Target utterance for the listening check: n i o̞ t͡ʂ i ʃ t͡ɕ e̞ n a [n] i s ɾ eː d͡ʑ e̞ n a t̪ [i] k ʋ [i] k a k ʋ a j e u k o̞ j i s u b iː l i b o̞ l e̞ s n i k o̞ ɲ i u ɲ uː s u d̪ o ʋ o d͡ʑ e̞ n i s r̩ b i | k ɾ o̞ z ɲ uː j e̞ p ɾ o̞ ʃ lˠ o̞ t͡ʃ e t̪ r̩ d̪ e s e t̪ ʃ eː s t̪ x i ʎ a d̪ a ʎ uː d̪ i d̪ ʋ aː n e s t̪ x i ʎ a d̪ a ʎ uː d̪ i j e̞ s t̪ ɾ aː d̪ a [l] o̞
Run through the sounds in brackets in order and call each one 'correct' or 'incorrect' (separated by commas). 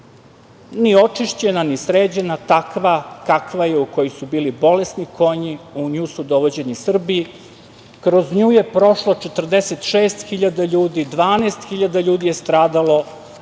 correct, incorrect, incorrect, correct